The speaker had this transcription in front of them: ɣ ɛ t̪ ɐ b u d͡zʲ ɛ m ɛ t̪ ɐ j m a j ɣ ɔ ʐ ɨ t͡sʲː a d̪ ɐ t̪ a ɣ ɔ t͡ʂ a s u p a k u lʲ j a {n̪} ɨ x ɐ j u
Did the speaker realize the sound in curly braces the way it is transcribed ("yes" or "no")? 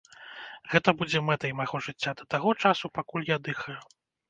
no